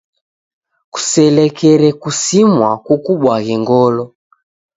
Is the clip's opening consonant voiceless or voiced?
voiceless